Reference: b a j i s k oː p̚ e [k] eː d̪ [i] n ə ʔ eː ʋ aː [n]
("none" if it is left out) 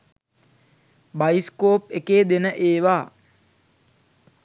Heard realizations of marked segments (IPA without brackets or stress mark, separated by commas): k, e, none